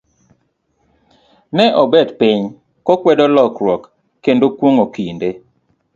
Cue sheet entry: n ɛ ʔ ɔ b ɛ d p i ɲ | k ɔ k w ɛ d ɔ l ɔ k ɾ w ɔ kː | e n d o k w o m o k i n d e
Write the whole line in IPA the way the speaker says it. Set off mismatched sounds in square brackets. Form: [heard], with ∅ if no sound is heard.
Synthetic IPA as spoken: n ɛ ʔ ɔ b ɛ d p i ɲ | k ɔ k w ɛ d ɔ l ɔ k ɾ w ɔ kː | e n d o k w o [ŋ] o k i n d e